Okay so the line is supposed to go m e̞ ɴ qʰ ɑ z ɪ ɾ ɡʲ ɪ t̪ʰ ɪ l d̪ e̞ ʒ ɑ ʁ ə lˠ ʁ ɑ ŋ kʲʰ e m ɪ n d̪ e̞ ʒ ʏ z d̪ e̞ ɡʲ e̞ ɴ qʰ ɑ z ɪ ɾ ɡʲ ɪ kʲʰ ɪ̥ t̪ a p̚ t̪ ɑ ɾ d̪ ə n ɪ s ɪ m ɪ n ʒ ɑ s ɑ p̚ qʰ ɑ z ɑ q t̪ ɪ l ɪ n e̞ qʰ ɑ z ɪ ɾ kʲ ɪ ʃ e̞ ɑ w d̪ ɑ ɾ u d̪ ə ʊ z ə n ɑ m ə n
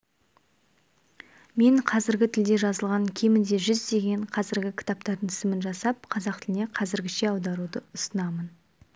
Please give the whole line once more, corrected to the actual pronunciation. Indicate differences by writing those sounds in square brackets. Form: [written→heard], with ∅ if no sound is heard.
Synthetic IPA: m e̞ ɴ qʰ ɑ z ɪ ɾ ɡʲ ɪ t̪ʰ ɪ l d̪ e̞ ʒ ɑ [ʁ→z] ə lˠ ʁ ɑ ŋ kʲʰ e m ɪ n d̪ e̞ ʒ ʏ z d̪ e̞ ɡʲ e̞ ɴ qʰ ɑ z ɪ ɾ ɡʲ ɪ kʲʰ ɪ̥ t̪ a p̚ t̪ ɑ ɾ d̪ ə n ɪ s ɪ m ɪ n ʒ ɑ s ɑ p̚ qʰ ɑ z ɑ q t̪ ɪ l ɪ n e̞ qʰ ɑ z ɪ ɾ [kʲ→ɡʲ] ɪ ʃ e̞ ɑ w d̪ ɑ ɾ u d̪ ə ʊ [z→s] ə n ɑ m ə n